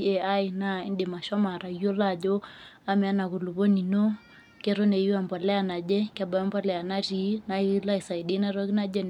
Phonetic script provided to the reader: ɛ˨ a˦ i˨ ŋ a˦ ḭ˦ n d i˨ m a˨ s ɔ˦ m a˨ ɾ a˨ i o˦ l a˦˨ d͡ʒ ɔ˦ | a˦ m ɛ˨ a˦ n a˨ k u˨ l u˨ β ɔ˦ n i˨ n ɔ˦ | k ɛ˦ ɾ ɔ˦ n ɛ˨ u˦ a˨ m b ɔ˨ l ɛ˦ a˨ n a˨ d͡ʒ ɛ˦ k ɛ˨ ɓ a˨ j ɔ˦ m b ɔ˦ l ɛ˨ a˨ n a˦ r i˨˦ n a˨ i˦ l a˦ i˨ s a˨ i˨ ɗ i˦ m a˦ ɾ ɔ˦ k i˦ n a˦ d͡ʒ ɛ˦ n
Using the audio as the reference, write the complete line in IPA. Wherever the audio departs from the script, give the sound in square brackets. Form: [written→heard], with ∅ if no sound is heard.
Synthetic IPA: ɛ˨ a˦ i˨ [ŋ→n] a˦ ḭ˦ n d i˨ m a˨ [s→ʃ] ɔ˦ m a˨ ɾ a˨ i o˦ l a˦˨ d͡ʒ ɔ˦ | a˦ m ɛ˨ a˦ n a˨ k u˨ l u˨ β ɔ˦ n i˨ n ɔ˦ | k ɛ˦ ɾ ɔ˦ n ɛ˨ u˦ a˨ m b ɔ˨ l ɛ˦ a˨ n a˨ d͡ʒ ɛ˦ k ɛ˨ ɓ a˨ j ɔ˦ m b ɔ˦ l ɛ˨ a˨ n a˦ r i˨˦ n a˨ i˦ l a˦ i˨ s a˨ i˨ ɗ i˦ [m→n] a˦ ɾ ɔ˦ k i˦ n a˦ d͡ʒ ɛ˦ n